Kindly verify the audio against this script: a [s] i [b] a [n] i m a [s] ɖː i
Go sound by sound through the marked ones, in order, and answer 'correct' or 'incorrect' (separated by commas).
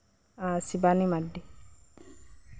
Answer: correct, correct, correct, incorrect